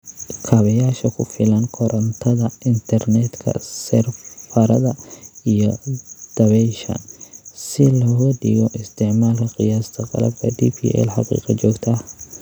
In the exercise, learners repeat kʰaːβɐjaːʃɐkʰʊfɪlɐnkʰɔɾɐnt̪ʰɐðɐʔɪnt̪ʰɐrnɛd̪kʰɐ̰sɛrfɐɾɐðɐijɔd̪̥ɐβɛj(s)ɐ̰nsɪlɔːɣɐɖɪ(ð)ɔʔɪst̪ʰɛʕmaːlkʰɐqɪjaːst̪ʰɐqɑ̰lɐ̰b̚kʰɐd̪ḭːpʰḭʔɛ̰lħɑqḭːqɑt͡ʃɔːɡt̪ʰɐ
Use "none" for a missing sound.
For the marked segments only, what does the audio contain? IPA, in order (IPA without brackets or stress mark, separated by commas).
ʃ, ɣ